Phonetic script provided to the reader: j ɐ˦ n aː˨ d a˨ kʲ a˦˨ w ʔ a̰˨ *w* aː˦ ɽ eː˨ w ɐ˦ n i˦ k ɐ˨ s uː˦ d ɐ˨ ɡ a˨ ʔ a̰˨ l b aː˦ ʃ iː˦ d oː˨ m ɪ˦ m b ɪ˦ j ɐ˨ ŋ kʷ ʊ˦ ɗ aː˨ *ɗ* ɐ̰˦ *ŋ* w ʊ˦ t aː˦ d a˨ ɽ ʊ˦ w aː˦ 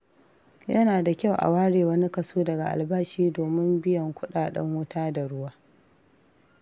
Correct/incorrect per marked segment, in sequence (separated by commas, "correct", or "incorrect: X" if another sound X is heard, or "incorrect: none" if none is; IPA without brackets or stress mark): correct, correct, correct